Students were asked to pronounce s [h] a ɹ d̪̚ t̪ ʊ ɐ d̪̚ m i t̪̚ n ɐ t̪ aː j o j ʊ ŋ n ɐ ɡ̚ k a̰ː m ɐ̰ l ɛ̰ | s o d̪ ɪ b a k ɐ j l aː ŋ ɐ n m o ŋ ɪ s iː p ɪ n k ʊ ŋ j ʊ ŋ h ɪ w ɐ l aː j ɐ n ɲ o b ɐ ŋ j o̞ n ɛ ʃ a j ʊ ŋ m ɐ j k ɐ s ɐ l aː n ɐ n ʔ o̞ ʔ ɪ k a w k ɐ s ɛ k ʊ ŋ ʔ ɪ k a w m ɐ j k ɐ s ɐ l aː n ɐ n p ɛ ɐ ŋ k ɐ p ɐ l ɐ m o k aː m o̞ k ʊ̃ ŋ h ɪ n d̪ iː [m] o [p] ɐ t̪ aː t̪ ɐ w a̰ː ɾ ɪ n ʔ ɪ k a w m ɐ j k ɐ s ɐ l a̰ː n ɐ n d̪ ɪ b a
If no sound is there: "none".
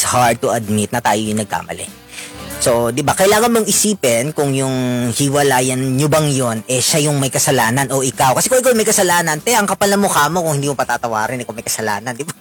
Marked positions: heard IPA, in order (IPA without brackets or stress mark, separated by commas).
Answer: h, m, p